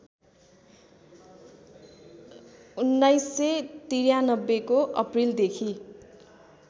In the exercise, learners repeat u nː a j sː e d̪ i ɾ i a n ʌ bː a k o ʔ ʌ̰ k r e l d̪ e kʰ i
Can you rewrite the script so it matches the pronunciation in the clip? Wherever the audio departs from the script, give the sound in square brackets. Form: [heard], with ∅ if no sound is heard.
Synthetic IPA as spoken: u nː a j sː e [t̪] i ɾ [j] a n ʌ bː [e] k o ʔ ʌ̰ [p] r [i] l d̪ e kʰ i